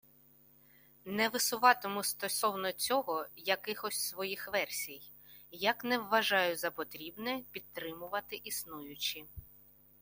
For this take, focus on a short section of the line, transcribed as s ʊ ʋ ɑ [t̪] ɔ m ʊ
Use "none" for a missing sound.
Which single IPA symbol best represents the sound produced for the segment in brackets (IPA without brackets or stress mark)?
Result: t̪